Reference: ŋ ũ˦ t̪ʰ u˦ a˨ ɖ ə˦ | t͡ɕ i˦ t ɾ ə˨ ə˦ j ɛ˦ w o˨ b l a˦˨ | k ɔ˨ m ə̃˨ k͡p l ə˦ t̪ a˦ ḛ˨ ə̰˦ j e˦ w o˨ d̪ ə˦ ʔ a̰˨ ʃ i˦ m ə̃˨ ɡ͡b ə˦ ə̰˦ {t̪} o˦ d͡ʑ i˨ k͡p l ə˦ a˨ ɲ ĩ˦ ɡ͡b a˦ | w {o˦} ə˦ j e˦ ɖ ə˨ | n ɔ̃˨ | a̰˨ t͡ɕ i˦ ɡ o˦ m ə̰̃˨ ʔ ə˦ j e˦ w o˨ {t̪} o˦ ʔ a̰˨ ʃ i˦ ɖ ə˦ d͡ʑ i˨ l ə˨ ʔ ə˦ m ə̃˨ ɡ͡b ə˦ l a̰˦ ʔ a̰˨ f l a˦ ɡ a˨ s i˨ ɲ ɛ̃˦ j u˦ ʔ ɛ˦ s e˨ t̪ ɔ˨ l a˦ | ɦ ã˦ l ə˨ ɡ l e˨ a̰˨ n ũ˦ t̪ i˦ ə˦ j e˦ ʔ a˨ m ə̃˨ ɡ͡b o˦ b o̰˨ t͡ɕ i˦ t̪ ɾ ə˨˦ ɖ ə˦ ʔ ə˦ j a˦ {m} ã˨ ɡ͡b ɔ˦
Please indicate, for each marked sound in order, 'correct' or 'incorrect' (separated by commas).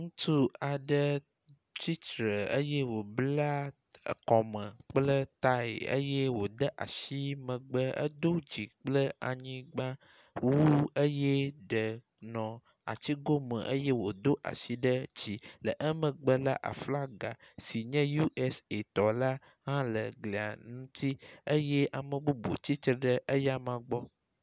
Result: incorrect, incorrect, incorrect, correct